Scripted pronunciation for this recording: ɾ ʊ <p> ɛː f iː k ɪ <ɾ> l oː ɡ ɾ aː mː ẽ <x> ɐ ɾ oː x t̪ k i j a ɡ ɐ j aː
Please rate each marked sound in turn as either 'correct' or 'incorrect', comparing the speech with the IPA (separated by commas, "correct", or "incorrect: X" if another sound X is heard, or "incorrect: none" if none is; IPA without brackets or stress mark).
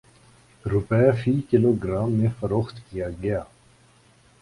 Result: correct, incorrect: none, incorrect: f